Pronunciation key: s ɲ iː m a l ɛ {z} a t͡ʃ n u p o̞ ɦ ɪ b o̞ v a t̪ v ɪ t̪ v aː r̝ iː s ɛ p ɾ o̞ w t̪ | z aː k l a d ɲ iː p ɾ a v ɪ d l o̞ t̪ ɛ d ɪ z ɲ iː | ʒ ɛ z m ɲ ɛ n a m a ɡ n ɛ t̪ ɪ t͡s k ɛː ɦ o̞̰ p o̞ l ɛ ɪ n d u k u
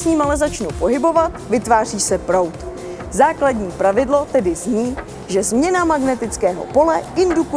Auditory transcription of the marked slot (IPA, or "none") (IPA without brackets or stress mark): z